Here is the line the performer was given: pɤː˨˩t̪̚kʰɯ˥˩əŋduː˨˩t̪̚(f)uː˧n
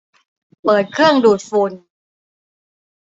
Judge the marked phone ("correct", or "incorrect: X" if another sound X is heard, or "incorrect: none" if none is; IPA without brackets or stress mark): correct